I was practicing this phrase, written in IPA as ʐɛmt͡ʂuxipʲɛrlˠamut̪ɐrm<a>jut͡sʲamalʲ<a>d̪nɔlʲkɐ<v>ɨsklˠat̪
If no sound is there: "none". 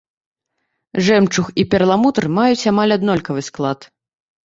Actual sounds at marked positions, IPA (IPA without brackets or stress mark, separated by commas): a, a, v